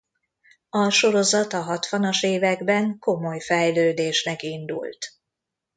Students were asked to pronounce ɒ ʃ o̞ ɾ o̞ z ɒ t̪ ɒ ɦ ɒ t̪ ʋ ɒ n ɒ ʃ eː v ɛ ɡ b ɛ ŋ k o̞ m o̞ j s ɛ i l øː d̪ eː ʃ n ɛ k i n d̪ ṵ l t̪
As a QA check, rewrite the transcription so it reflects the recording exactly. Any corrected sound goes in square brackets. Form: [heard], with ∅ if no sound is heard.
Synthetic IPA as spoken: ɒ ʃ o̞ ɾ o̞ z ɒ t̪ ɒ ɦ ɒ t̪ ʋ ɒ n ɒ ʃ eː v ɛ ɡ b ɛ ŋ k o̞ m o̞ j [f] ɛ [j] l øː d̪ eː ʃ n ɛ k i n d̪ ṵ l t̪